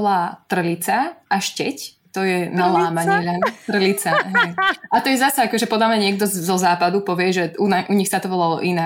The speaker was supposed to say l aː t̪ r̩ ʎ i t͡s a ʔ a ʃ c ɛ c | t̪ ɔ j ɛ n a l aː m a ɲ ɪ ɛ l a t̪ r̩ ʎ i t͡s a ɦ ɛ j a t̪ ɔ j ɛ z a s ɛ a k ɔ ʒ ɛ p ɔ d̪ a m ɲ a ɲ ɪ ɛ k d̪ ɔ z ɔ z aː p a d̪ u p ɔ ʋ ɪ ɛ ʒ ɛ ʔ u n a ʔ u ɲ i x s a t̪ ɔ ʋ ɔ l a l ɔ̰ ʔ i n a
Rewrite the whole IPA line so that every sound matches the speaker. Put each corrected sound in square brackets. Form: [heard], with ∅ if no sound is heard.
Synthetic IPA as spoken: l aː t̪ r̩ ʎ i t͡s a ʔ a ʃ c ɛ c | t̪ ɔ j ɛ n a l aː m a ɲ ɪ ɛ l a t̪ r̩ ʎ i t͡s a ɦ ɛ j a t̪ ɔ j ɛ z a s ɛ a k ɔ ʒ ɛ p ɔ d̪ a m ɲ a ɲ ɪ ɛ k d̪ ɔ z ɔ z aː p a d̪ u p ɔ ʋ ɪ ɛ ʒ ɛ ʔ u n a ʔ u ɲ i x s a t̪ ɔ ʋ ɔ l a l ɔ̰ ʔ i n a